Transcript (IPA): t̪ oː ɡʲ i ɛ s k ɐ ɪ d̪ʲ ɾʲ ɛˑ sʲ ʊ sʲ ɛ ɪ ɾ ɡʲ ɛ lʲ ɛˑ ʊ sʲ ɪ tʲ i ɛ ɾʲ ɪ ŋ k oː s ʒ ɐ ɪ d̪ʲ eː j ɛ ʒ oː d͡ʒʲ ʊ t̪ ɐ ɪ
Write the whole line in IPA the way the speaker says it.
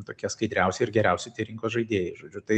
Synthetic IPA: t̪ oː kʲ i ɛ s k ɐ ɪ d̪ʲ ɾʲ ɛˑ ʊ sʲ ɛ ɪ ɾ ɡʲ ɛ ɾʲ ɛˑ ʊ sʲ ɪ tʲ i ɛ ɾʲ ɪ ŋ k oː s ʒ ɐ ɪ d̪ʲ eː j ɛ ʒ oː d͡ʒʲ ʊ t̪ ɐ ɪ